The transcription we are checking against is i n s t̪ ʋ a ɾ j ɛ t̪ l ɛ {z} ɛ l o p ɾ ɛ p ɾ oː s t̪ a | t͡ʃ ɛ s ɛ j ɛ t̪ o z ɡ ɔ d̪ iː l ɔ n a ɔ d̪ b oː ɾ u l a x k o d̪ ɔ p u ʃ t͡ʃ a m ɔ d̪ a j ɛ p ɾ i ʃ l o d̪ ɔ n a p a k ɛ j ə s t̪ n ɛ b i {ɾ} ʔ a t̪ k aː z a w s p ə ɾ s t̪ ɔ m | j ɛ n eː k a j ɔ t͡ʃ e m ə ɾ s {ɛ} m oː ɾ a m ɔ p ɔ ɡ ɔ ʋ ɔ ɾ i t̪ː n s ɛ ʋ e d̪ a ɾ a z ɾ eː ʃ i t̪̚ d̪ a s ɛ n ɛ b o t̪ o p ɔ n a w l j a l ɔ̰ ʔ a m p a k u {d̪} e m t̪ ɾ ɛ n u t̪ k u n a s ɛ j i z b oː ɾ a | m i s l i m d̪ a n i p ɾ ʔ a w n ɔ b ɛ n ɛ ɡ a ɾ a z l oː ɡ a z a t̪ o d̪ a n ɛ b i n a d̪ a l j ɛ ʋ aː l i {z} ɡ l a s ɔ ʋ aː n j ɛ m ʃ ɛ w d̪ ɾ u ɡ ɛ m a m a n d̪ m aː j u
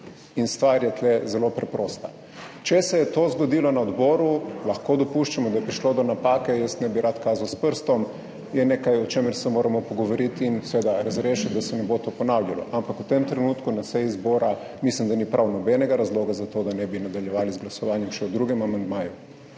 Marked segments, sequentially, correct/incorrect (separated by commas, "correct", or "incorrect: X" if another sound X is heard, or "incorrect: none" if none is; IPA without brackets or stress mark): correct, correct, correct, incorrect: t̪, correct